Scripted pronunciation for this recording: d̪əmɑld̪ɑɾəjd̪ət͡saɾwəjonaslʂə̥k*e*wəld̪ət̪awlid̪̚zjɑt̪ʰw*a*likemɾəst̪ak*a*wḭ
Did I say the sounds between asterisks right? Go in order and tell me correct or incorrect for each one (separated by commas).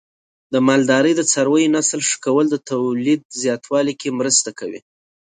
incorrect, incorrect, correct